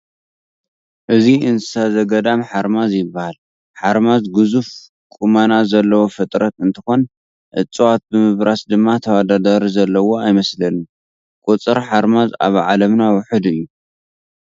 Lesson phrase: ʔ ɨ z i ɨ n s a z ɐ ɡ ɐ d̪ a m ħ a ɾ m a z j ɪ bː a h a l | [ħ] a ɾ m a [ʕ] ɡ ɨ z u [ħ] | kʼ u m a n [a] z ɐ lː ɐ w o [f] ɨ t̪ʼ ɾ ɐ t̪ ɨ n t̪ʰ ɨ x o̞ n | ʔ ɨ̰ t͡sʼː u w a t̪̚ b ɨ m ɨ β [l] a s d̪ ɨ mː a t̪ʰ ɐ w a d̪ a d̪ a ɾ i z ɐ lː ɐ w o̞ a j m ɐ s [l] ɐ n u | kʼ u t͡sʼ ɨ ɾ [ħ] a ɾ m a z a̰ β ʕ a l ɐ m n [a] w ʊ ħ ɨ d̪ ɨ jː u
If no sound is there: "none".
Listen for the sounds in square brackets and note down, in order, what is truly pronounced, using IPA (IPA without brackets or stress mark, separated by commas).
ħ, z, f, a, f, ɾ, l, ħ, a